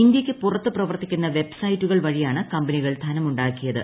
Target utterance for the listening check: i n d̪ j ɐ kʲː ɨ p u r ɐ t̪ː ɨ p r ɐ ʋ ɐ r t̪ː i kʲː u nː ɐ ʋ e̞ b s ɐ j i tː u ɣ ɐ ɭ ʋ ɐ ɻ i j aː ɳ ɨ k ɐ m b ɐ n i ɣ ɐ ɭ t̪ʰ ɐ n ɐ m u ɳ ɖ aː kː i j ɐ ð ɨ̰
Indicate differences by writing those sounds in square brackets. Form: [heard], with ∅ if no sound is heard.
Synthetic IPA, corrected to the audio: i n d̪ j ɐ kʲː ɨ p u r ɐ t̪ː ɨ p r ɐ ʋ ɐ r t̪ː i kʲː u nː ɐ ʋ e̞ b s ɐ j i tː u ɣ ɐ ɭ ʋ ɐ ɻ i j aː ɳ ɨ k ɐ m b ɐ n i ɣ ɐ ɭ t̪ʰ ɐ n ɐ m u ɳ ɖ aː kː i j ɐ ð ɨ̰